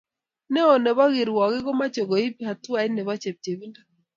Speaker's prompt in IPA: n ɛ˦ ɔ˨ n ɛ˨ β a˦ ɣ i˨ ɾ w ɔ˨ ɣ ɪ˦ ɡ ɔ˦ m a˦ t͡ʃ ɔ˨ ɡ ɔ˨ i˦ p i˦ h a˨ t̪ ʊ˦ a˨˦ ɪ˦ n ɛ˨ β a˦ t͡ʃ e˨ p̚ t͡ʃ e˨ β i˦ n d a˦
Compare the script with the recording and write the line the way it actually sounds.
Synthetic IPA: n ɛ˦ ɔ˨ n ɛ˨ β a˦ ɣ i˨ ɾ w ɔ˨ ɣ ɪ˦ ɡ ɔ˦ m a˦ t͡ʃ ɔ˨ ɡ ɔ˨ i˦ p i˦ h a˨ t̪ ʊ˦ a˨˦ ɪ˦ n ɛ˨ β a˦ t͡ʃ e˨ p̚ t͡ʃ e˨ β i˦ n d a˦